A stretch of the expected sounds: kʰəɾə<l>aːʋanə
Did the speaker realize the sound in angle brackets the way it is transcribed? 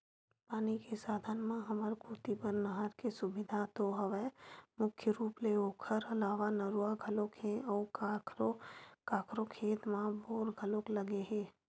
yes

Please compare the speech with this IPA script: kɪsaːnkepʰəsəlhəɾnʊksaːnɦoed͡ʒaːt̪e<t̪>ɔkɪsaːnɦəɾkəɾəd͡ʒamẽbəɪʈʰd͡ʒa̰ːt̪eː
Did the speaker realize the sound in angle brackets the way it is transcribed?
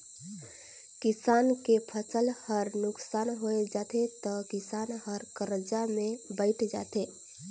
yes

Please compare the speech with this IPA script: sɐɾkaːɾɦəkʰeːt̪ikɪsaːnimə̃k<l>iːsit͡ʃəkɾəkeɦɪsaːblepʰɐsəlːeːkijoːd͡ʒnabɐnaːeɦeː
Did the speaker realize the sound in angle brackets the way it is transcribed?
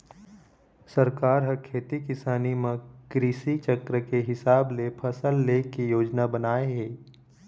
no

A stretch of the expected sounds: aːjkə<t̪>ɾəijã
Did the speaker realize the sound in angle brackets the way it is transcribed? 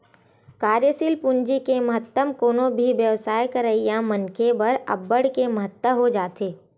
no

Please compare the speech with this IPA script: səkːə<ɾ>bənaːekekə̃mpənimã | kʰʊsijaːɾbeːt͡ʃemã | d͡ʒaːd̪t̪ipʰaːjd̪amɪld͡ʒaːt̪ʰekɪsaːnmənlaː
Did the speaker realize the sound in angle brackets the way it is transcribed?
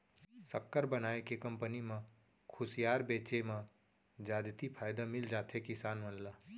yes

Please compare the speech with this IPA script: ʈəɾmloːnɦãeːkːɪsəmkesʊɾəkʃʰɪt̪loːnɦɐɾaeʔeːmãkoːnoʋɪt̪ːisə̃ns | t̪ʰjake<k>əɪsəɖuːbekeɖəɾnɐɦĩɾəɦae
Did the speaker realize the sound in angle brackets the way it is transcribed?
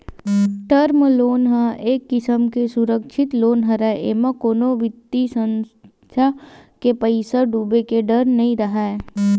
no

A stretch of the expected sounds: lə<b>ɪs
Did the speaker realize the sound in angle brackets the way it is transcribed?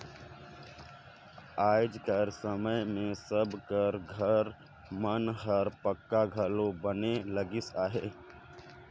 no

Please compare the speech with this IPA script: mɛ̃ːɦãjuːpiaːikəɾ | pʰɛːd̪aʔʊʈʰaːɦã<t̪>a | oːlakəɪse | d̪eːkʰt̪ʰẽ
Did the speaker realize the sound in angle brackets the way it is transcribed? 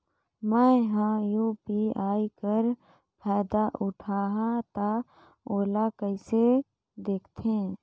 yes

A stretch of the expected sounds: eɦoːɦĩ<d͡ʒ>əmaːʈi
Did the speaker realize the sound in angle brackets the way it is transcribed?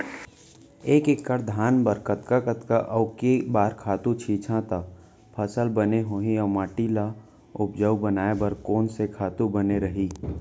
no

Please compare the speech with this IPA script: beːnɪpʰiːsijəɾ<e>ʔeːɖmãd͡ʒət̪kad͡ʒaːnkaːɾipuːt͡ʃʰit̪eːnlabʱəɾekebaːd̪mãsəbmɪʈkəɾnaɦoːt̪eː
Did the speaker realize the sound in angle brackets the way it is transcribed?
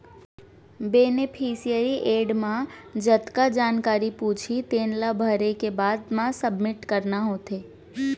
no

